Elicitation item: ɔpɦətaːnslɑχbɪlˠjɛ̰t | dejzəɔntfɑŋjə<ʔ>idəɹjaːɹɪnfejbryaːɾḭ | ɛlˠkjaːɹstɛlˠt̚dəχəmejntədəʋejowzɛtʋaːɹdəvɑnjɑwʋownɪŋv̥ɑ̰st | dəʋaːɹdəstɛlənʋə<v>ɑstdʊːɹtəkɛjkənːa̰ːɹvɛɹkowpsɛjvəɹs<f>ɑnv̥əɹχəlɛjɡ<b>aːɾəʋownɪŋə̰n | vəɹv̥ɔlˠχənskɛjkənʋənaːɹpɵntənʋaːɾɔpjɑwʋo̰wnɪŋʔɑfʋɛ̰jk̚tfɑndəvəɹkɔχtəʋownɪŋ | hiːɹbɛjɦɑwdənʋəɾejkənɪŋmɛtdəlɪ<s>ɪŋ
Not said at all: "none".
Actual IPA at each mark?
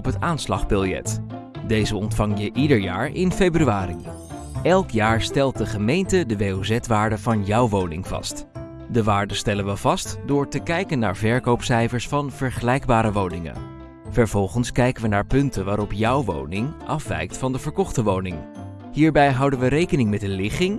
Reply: ʔ, v, f, b, χ

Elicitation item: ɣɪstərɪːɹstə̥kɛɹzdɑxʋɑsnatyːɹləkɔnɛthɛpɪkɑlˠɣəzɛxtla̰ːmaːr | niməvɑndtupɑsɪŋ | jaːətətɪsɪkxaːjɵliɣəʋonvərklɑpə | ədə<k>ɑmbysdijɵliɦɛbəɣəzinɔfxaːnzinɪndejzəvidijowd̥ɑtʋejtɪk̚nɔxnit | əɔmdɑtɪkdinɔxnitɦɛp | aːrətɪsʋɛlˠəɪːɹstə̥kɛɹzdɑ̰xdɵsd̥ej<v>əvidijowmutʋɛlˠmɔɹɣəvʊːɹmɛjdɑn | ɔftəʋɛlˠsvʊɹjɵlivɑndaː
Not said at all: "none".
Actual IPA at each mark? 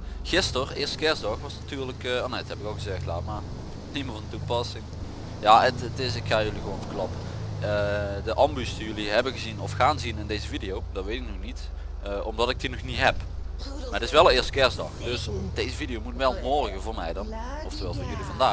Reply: ʔ, z

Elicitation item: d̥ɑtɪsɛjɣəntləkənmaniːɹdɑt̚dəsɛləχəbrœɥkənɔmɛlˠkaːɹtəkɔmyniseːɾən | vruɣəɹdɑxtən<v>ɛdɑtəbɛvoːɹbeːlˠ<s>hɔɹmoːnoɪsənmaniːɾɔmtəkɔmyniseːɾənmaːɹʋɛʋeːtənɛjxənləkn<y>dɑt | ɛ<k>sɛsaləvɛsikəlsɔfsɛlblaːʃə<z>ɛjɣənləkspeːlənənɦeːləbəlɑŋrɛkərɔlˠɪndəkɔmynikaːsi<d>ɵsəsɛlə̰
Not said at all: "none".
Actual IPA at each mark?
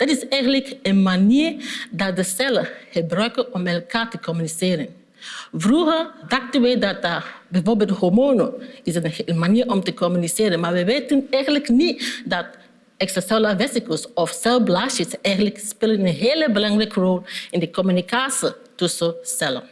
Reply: ʋ, t, i, k, s, t

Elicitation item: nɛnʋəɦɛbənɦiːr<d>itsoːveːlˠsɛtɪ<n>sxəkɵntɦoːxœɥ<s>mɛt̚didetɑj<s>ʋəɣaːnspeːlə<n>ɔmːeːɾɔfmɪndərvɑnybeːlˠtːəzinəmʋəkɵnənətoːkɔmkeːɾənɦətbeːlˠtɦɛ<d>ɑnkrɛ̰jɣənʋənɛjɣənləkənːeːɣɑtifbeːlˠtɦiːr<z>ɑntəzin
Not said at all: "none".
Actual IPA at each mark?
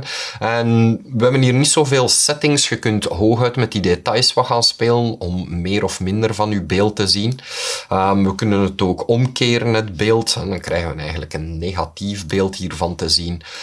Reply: n, ŋ, t, s, n, d, v

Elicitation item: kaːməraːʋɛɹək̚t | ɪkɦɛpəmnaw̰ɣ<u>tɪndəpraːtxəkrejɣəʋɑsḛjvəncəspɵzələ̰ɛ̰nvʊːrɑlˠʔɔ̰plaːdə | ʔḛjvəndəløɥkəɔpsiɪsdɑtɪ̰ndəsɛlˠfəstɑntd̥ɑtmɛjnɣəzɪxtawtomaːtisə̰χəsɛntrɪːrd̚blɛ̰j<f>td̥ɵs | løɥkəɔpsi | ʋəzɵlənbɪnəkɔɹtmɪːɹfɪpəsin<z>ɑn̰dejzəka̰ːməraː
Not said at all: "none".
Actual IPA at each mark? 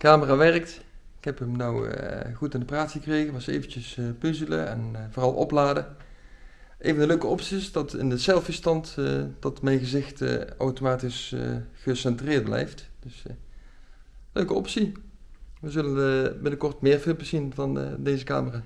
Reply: u, f, v

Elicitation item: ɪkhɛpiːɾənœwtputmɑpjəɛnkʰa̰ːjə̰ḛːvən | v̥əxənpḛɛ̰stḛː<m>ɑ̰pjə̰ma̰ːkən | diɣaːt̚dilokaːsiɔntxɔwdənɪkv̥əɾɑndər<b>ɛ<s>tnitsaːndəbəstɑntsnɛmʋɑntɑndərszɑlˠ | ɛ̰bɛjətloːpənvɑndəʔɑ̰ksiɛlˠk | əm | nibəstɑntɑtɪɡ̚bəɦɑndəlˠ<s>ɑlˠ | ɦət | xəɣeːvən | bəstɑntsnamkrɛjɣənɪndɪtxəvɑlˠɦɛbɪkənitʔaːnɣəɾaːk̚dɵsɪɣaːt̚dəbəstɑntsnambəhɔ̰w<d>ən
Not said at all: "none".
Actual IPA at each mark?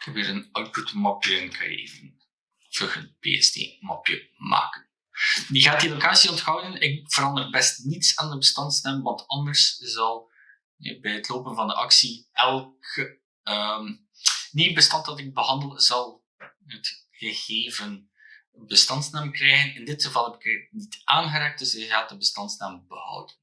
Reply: m, b, s, z, d

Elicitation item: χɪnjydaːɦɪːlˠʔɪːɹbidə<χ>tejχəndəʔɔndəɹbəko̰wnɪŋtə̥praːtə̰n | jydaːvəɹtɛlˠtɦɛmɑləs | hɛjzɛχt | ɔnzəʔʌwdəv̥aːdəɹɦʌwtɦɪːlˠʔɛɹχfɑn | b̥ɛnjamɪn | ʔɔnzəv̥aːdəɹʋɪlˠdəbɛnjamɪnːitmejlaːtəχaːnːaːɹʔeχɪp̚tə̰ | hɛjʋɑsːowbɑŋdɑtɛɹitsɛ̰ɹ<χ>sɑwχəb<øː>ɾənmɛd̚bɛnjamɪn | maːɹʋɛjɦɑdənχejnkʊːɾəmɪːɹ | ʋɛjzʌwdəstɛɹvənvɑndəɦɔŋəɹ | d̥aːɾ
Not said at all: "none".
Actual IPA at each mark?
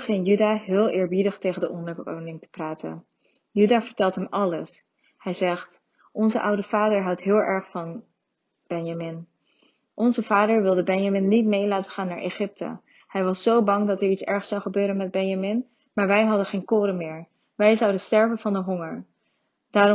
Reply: χ, χ, øː

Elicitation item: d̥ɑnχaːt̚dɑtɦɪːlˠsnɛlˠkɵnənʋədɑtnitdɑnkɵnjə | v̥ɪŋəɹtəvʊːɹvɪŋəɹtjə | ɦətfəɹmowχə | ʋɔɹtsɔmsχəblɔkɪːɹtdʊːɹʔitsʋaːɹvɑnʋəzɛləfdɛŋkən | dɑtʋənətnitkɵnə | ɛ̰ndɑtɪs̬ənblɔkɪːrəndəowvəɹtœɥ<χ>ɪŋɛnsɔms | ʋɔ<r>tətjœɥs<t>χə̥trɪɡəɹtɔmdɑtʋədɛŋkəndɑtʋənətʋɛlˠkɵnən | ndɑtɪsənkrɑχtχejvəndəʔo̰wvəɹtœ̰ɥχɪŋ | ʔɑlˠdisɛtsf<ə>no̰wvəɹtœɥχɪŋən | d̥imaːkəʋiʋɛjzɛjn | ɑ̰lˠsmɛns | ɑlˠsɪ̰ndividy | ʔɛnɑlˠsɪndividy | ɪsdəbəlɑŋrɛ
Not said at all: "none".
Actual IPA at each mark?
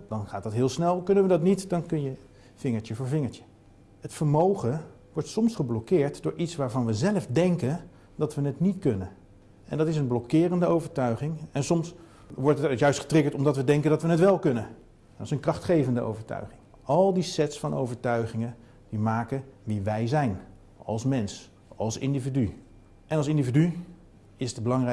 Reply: χ, ɹ, t, ɑ

